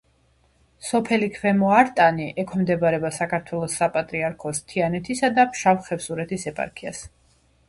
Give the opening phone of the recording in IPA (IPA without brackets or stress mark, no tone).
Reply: s